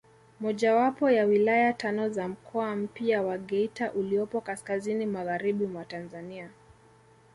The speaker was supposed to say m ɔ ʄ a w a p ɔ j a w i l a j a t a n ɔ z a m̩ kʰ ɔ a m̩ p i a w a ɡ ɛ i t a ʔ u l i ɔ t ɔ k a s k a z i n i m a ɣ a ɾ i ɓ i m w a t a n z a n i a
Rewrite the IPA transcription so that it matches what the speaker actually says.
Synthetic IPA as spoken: m ɔ ʄ a w a p ɔ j a w i l a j a t a n ɔ z a m̩ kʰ ɔ a m̩ p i a w a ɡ ɛ i t a ʔ u l i ɔ p ɔ k a s k a z i n i m a ɣ a ɾ i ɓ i m w a t a n z a n i a

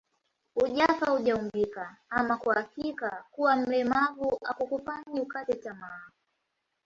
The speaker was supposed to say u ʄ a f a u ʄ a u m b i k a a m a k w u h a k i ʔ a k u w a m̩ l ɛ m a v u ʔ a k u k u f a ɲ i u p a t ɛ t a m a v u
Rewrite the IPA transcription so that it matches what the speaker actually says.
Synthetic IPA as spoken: u ʄ a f a u ʄ a u m b i k a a m a k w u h a k i k a k u w a m̩ l ɛ m a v u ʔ a k u k u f a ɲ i u k a t ɛ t a m a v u

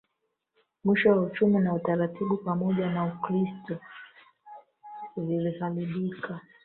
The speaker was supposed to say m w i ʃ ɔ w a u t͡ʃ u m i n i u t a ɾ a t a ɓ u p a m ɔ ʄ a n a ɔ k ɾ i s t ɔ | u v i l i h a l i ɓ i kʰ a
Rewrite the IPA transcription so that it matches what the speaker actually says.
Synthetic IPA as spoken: m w i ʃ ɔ w a u t͡ʃ u m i n a u t a ɾ a t i ɓ u p a m ɔ ʄ a n a u k ɾ i s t ɔ | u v i l i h a l i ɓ i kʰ a

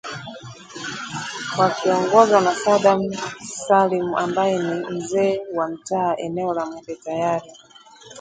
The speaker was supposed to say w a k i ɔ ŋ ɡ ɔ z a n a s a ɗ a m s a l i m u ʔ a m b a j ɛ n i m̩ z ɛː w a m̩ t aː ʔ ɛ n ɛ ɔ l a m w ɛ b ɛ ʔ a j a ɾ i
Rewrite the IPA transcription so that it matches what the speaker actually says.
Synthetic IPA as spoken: w a k i ɔ ŋ ɡ ɔ z a n a s a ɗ a m s a l i m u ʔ a m b a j ɛ n i m̩ z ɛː w a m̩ t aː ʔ ɛ n ɛ ɔ l a m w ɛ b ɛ t a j a ɾ i

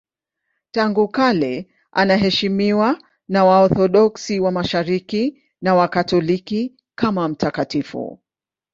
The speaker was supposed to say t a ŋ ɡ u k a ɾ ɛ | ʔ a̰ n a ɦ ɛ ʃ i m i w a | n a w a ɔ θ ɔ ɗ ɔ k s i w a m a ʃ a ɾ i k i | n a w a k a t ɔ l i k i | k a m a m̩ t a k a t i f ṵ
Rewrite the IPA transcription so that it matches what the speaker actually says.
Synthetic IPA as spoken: t a ŋ ɡ u k a l ɛ | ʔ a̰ n a ɦ ɛ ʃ i m i w a | n a w a ɔ θ ɔ ɗ ɔ k s i w a m a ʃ a ɾ i k i | n a w a k a t ɔ l i k i | k a m a m̩ t a k a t i f ṵ

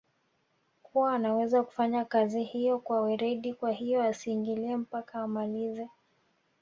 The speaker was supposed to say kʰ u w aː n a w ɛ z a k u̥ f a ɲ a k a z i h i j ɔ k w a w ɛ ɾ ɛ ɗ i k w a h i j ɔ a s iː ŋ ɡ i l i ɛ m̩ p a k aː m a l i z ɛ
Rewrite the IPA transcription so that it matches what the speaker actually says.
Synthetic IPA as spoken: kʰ u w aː n a w ɛ z a k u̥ f a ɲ a k a z i h i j ɔ k w a w ɛ ɾ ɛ ɗ i k w a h i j ɔ a s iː ŋ ɡ i l i ɛ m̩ p a k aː m a l i z ɛ

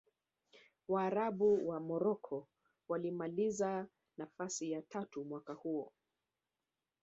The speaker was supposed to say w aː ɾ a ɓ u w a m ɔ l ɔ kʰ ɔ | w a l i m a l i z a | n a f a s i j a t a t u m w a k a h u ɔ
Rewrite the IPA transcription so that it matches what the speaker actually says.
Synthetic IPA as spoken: w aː ɾ a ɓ u w a m ɔ ɾ ɔ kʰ ɔ | w a l i m a l i z a | n a f a s i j a t a t u m w a k a h u ɔ

